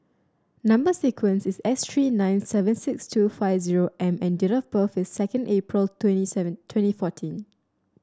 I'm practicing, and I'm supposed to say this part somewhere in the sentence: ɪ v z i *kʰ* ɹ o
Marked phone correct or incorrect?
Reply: incorrect